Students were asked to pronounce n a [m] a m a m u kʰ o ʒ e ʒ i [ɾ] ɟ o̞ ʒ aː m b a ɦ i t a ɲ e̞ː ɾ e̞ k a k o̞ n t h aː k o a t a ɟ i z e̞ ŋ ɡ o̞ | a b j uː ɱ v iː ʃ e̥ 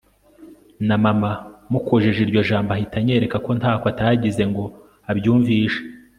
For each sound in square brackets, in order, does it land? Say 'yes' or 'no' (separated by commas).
yes, yes